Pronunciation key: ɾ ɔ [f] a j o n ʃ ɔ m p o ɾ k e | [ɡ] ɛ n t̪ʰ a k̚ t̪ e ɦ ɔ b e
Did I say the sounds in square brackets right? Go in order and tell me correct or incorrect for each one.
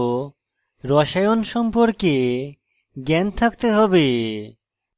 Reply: incorrect, correct

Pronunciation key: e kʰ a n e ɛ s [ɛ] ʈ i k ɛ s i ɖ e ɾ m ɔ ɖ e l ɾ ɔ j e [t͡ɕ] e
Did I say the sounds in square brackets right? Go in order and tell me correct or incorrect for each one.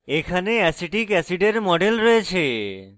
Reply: incorrect, incorrect

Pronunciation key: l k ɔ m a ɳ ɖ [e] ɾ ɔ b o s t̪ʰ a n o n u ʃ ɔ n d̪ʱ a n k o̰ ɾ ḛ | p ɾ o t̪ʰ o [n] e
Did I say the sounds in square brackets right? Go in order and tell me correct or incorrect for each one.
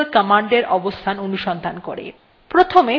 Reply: correct, incorrect

